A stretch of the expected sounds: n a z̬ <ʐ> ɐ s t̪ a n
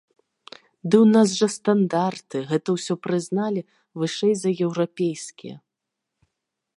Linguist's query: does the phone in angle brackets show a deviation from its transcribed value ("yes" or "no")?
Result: no